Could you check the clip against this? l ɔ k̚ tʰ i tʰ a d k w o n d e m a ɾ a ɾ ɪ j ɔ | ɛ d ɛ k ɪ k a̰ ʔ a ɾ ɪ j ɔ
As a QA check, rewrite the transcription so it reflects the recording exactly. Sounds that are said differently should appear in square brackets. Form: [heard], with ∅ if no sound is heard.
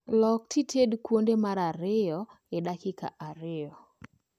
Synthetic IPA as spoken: l ɔ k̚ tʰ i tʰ [e] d k w o n d e m a ɾ a ɾ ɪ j ɔ | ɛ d [a] k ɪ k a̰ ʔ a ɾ ɪ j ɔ